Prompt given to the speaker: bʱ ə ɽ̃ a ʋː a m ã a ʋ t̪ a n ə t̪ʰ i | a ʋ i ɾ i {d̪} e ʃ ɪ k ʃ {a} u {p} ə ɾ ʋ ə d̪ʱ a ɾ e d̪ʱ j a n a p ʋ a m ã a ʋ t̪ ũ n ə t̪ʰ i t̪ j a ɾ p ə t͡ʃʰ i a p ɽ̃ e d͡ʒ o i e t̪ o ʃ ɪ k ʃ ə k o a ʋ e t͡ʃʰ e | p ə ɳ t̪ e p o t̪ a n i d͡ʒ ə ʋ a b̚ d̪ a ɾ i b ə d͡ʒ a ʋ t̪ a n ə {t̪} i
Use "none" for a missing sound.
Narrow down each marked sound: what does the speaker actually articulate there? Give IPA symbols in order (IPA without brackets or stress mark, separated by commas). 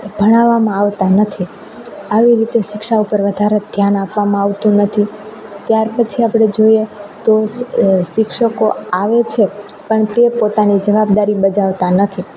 t̪, a, p, t̪ʰ